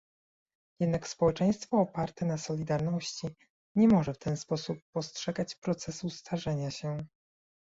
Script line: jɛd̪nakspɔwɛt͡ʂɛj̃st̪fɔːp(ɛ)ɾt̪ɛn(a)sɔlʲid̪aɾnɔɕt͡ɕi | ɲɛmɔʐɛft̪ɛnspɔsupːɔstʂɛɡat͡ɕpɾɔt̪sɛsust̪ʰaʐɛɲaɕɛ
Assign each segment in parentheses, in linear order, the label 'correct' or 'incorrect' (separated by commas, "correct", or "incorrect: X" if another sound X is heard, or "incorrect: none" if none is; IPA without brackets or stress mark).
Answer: incorrect: a, correct